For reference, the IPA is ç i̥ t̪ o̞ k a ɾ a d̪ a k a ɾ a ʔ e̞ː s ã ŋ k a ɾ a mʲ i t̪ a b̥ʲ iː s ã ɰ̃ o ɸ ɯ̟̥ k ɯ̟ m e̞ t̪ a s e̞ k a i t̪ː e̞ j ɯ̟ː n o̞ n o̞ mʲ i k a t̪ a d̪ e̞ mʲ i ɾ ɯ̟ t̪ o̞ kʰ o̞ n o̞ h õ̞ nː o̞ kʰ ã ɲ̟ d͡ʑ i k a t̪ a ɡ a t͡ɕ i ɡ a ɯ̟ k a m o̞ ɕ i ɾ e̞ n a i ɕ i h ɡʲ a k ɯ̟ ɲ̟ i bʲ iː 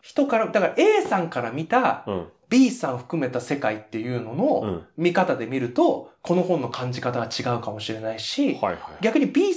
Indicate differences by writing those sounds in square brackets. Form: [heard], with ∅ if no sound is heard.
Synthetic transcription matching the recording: ç i̥ t̪ o̞ k a ɾ a d̪ a k a ɾ a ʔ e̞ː s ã ŋ k a ɾ a mʲ i t̪ a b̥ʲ iː s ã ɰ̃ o ɸ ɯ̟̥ k ɯ̟ m e̞ t̪ a s e̞ k a i t̪ː e̞ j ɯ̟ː n o̞ n o̞ mʲ i k a t̪ a d̪ e̞ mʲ i ɾ ɯ̟ t̪ o̞ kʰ o̞ n o̞ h õ̞ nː o̞ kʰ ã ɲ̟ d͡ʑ i k a t̪ a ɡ a t͡ɕ i ɡ a ɯ̟ k a m o̞ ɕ i ɾ e̞ n a i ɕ i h ɡʲ a k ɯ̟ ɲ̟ i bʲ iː